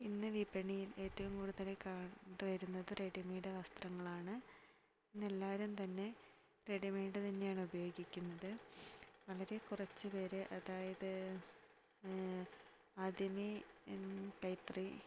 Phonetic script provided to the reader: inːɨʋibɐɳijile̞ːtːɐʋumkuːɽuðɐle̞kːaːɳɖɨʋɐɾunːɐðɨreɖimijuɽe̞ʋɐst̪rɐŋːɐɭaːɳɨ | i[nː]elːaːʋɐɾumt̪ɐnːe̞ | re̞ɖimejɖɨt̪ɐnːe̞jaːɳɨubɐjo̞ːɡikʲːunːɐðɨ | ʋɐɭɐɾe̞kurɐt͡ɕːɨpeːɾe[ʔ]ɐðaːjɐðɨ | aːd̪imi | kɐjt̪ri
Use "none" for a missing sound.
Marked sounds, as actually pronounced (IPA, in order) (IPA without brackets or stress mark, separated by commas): nː, ʔ